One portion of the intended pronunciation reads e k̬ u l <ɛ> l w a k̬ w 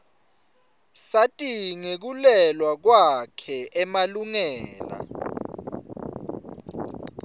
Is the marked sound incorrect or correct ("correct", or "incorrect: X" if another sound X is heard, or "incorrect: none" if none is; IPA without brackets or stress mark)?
correct